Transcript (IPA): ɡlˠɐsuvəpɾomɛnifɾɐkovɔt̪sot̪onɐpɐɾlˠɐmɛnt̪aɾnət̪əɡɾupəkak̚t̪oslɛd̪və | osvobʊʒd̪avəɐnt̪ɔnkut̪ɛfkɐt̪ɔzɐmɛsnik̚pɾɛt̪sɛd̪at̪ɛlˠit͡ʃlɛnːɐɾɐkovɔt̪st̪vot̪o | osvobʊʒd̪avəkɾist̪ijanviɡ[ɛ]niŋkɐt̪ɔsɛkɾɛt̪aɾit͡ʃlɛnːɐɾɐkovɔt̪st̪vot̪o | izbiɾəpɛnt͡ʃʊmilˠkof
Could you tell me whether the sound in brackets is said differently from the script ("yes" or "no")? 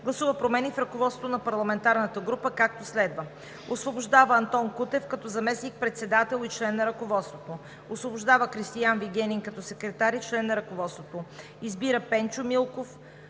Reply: no